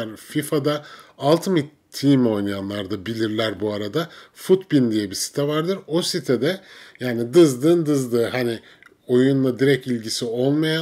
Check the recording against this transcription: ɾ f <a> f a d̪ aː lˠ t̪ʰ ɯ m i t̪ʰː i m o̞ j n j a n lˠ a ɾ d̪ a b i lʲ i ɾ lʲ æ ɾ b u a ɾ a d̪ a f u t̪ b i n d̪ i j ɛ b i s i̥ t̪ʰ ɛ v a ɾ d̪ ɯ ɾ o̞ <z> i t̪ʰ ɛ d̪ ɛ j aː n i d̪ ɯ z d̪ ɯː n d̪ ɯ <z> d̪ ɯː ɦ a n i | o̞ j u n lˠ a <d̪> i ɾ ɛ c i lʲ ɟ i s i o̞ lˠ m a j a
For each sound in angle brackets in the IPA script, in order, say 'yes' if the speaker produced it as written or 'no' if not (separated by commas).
no, no, yes, yes